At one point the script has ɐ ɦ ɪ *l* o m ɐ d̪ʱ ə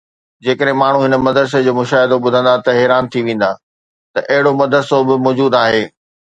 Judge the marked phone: incorrect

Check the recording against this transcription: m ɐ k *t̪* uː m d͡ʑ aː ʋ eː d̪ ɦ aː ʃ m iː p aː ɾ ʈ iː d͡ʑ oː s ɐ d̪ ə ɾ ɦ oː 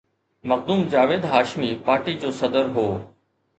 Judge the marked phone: incorrect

